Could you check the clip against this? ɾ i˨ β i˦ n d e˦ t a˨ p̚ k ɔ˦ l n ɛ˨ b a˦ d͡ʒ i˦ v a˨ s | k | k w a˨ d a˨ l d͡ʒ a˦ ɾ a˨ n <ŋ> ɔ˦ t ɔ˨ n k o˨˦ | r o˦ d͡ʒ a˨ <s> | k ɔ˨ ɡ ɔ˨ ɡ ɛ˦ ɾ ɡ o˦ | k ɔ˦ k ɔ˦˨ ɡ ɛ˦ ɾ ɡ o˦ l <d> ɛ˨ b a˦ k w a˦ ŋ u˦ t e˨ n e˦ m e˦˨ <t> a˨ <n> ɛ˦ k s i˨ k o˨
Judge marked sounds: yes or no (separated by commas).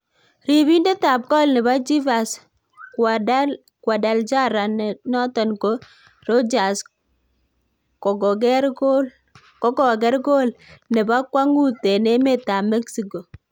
no, yes, no, yes, no